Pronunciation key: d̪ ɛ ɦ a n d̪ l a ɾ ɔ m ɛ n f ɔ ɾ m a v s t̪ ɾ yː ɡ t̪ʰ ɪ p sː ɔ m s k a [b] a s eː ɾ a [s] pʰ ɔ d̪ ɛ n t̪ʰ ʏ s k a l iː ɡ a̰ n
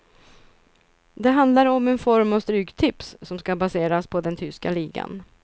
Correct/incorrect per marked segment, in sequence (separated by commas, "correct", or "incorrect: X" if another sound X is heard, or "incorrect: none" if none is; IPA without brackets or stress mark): correct, correct